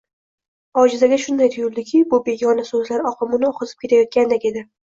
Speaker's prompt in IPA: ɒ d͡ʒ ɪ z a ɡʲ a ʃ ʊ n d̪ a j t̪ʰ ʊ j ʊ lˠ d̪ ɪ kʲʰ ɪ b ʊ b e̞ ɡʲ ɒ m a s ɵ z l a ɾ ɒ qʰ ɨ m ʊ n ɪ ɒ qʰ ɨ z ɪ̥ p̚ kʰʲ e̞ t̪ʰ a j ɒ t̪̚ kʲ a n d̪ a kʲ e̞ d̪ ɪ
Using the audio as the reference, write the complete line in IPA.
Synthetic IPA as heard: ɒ d͡ʒ ɪ z a ɡʲ a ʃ ʊ n d̪ a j t̪ʰ ʊ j ʊ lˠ d̪ ɪ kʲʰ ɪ b ʊ b e̞ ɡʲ ɒ n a s ɵ z l a ɾ ɒ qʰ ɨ m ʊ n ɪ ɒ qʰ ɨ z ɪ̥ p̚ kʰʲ e̞ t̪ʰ a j ɒ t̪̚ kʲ a n d̪ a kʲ e̞ d̪ ɪ

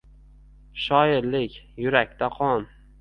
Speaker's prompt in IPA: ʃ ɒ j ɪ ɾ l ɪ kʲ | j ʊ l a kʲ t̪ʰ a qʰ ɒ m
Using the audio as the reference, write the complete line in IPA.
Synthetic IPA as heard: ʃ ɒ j ɪ ɾ l ɪ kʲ | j ʊ ɾ a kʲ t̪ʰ a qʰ ɒ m

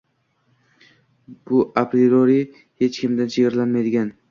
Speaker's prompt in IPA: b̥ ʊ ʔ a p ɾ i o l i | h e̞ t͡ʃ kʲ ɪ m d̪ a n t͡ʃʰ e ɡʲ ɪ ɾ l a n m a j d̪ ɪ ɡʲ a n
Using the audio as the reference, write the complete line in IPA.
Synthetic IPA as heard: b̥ ʊ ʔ a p ɾ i o ɾ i | h e̞ t͡ʃ kʲ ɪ m d̪ a n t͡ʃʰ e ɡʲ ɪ ɾ l a n m a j d̪ ɪ ɡʲ a n

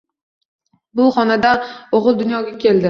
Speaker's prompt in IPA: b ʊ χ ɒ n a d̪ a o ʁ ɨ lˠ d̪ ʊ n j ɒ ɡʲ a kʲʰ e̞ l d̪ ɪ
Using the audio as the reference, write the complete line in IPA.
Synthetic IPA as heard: b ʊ χ ɒ n a d̪ a o ʁ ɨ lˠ d̪ ʊ n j ɒ ɡʲ a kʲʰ e̞ l d̪ ɪ

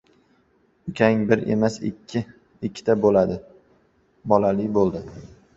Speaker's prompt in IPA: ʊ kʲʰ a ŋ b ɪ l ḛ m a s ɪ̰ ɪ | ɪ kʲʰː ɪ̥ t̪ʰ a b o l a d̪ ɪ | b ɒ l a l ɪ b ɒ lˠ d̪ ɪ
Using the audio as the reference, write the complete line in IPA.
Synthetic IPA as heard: ʊ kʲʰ a ŋ b ɪ ɾ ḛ m a s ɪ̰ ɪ | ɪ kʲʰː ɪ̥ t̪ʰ a b o l a d̪ ɪ | b ɒ l a l ɪ b o lˠ d̪ ɪ

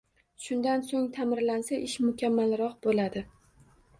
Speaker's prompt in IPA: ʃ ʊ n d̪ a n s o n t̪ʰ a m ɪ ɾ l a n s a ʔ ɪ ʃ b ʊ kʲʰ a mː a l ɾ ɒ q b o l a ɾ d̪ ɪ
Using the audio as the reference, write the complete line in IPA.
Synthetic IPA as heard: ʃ ʊ n d̪ a n s o ŋ t̪ʰ a m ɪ ɾ l a n s a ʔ ɪ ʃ m ʊ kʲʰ a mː a l ɾ ɒ q b o l a d̪ ɪ

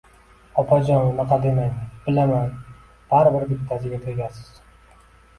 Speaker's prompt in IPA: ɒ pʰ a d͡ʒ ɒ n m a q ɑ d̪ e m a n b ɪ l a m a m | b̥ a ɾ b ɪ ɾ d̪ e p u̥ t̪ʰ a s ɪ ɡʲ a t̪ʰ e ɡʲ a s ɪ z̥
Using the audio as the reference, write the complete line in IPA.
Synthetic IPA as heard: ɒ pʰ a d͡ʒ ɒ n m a q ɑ d̪ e m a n b ɪ l a m a n | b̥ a ɾ b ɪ ɾ d̪ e p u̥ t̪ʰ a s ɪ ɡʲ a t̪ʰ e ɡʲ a s ɪ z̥

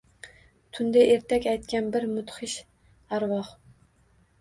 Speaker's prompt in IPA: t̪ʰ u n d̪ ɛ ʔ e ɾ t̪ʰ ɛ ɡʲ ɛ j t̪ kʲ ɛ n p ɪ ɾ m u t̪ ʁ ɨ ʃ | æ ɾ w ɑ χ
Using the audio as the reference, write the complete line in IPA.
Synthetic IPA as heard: t̪ʰ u n d̪ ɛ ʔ e ɾ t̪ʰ ɛ kʲ ɛ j t̪ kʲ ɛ n b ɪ ɾ m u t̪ χ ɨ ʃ | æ ɾ w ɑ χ

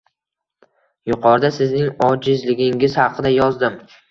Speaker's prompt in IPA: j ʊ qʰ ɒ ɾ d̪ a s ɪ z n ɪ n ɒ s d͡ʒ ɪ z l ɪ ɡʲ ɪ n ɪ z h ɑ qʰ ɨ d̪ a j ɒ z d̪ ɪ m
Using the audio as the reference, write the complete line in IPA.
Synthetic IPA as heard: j ʊ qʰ ɒ ɾ d̪ a s ɪ z n ɪ ŋ ɒ d͡ʒ ɪ z l ɪ ɡʲ ɪ ŋ ɪ z h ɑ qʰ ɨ d̪ a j ɒ z d̪ ɪ m

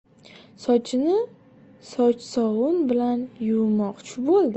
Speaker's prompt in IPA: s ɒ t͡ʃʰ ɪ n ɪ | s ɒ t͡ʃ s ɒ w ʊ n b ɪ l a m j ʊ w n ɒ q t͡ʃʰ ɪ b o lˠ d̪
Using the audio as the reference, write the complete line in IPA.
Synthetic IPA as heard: s ɒ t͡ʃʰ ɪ n ɪ | s ɒ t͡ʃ s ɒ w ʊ n b ɪ l a n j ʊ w m ɒ q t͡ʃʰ ɪ b o lˠ d̪

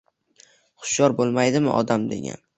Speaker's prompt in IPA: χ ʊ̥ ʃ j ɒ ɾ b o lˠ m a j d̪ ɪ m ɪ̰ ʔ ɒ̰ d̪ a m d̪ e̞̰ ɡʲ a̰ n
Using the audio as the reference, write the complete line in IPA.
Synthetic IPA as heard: χ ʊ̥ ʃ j ɒ ɾ b o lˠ m a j d̪ ɪ m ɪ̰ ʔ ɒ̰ d̪ a m d̪ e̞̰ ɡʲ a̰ n

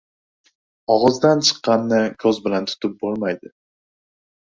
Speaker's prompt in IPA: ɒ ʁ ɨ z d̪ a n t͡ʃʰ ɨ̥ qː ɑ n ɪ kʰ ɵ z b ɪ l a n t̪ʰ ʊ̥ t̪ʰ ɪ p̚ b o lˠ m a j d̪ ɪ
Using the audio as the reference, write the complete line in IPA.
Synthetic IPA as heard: ɒ ʁ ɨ z d̪ a n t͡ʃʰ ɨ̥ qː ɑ nː ɪ kʰ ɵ z b ɪ l a n t̪ʰ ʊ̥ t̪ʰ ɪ p̚ b o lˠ m a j d̪ ɪ

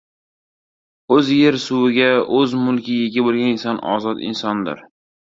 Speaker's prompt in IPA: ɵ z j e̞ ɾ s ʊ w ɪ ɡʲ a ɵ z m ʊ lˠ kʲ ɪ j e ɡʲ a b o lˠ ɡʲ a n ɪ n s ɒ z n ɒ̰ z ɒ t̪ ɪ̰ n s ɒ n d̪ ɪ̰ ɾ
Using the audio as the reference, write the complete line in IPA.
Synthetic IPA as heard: ɵ z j e̞ ɾ s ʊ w ɪ ɡʲ a ɵ z m ʊ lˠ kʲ ɪ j e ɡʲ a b o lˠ ɡʲ a n ɪ n s ɒ n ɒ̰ z ɒ t̪ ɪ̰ n s ɒ n d̪ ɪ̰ ɾ

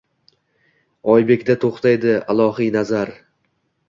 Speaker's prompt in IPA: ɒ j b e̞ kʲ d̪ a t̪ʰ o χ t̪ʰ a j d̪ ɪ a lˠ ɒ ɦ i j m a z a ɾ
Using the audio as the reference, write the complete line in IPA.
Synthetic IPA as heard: ɒ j b e̞ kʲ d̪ a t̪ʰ o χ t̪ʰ a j d̪ ɪ a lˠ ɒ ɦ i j n a z a ɾ

